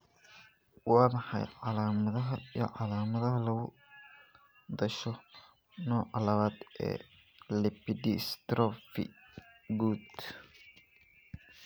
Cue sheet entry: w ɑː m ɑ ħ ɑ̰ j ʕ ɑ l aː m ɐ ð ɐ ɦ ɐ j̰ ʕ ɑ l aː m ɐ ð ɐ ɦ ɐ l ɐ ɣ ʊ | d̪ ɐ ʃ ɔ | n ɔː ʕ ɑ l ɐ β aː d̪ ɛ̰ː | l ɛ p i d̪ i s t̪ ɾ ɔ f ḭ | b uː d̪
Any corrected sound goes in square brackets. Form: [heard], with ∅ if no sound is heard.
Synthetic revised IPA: w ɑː m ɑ ħ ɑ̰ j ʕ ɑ l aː m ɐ ð ɐ ɦ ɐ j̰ ʕ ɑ l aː m ɐ ð ɐ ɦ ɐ l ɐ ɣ ʊ | d̪ ɐ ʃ ɔ | n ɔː ʕ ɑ l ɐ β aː d̪ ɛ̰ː | l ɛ p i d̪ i s t̪ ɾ ɔ f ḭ | [ɡ] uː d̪